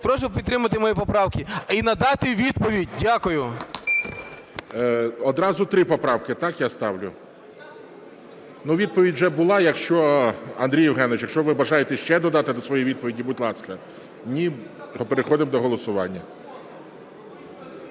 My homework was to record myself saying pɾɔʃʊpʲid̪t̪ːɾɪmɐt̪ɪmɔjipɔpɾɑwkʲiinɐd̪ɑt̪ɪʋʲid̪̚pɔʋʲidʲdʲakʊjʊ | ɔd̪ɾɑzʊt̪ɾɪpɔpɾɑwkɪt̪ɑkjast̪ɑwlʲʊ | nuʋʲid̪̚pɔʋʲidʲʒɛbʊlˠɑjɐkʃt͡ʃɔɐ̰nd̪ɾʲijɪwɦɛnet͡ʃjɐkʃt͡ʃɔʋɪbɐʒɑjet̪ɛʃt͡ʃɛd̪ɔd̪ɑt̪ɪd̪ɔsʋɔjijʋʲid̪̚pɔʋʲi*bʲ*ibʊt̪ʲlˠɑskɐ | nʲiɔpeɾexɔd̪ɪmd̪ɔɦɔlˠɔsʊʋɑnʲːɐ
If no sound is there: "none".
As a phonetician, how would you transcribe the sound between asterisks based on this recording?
dʲ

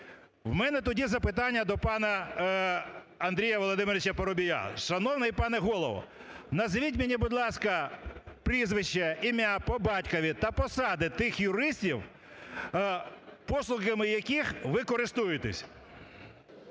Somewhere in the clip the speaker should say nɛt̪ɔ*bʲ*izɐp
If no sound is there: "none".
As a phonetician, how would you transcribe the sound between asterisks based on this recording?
dʲ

